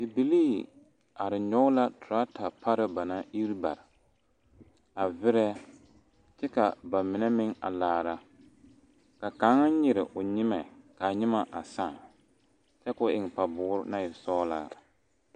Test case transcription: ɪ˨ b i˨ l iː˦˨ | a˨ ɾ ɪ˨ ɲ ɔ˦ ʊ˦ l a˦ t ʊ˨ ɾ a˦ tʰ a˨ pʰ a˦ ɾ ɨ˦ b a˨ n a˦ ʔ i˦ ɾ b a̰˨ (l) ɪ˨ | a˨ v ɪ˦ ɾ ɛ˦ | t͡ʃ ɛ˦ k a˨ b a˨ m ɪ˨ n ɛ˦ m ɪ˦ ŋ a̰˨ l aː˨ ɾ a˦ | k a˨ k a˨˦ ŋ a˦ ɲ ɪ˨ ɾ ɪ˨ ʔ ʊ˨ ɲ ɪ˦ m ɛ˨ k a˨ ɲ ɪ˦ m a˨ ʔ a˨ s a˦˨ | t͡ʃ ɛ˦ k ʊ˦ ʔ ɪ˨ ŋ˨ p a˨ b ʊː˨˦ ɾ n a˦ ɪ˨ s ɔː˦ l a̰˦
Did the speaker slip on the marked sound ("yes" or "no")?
yes